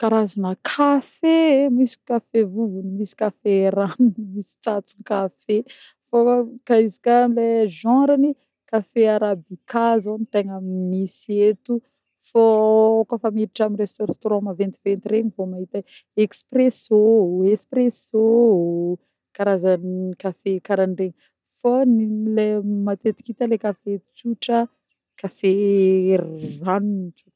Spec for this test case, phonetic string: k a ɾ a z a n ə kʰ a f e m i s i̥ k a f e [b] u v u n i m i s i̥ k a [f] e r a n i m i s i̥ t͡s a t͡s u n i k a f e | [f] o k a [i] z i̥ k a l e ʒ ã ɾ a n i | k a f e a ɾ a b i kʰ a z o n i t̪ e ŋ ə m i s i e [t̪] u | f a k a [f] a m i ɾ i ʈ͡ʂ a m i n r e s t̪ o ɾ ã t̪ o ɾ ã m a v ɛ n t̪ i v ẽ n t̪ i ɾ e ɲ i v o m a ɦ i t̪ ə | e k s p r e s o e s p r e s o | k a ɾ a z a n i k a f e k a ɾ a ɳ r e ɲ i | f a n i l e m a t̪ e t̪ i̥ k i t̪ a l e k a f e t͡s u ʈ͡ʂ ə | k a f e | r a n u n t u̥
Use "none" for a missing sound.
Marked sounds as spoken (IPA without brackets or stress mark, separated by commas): v, f, f, i, t̪, f